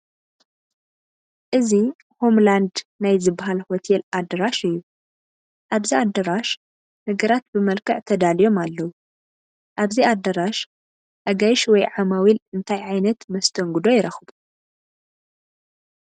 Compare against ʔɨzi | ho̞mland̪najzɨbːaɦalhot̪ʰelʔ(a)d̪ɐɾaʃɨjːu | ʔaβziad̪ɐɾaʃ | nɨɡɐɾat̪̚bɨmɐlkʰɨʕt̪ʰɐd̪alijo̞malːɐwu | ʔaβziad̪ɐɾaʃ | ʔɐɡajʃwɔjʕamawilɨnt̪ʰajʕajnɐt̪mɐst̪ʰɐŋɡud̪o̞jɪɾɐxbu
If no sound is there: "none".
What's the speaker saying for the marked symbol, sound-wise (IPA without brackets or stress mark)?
a